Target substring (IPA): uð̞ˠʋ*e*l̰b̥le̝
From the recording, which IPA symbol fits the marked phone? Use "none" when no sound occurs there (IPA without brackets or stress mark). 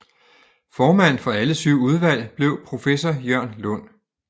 æ